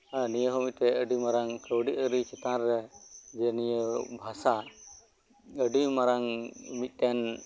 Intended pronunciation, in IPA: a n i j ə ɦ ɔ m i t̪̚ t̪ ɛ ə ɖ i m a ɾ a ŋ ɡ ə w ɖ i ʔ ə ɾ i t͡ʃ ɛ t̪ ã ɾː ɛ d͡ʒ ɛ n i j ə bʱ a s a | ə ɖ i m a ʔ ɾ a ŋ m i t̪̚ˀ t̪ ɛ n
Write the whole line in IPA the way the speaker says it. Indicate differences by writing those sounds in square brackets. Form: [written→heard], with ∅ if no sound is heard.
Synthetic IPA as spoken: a n i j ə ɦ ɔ m i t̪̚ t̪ ɛ ə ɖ i m a ɾ a ŋ [ɡ→k] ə w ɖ i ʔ ə ɾ i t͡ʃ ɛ t̪ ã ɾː ɛ d͡ʒ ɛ n i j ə bʱ a s a | ə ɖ i m a [ʔ→∅] ɾ a ŋ m i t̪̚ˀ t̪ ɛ n